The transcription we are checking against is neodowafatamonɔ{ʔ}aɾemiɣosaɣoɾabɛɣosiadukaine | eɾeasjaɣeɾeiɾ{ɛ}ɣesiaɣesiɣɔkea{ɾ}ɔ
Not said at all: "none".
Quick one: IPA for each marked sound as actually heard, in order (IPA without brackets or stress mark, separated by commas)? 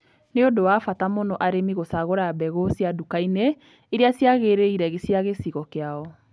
ʔ, ɛ, none